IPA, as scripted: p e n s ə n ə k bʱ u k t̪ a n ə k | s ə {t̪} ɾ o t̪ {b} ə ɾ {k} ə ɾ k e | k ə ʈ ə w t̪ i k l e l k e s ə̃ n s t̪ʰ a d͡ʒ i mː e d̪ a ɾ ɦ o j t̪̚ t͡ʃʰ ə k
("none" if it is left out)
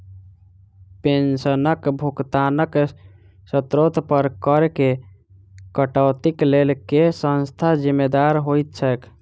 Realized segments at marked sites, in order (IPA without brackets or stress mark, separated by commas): t̪, p, k